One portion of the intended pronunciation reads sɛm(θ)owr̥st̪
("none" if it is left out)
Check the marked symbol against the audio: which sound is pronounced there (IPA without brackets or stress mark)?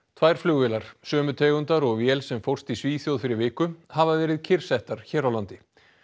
f